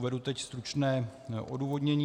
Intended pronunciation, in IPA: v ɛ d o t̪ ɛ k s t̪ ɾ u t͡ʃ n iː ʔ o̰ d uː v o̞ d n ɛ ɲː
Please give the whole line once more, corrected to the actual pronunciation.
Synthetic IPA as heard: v ɛ d u t̪ ɛ c s t̪ ɾ u t͡ʃ n ɛː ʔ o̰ d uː v o̞ d ɲ ɛ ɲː